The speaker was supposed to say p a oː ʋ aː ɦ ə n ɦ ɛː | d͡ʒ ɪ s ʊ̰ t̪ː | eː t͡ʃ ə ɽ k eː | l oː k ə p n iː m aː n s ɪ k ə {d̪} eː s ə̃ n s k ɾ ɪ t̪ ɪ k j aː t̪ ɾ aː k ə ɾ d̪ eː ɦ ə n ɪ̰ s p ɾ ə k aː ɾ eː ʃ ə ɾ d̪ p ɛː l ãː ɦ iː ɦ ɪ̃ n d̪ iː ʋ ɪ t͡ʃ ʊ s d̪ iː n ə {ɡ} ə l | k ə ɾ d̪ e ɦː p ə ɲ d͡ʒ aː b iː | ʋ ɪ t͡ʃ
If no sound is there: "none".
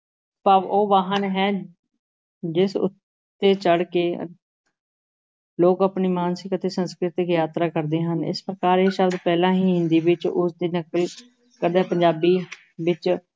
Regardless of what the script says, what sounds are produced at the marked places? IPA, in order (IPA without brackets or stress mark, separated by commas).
t̪, k